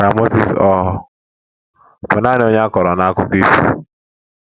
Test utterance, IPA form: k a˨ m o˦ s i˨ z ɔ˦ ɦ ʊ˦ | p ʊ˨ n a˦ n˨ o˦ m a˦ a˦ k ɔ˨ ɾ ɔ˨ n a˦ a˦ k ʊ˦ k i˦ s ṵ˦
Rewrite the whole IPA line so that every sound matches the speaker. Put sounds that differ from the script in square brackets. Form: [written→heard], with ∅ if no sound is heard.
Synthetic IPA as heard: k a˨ m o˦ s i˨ [z→s] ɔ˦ ɦ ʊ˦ | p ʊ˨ n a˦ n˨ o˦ [m→ɲ] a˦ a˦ k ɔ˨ ɾ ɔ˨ n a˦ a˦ k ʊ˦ k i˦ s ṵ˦